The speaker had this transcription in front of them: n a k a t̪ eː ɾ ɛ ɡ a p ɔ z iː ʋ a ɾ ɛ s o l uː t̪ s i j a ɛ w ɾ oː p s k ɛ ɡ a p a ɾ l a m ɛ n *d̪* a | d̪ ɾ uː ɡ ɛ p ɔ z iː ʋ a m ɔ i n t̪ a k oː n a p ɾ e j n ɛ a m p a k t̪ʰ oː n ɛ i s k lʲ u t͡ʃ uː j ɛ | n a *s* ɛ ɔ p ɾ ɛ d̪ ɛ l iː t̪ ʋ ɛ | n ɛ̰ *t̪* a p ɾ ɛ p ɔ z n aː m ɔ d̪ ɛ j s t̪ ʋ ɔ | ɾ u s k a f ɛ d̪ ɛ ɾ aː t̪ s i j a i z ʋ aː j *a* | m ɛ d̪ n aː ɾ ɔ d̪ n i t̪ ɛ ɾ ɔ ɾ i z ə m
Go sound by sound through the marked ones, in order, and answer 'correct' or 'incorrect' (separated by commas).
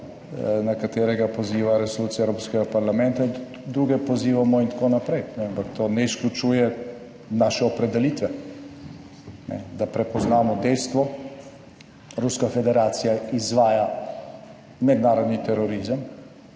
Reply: incorrect, incorrect, incorrect, correct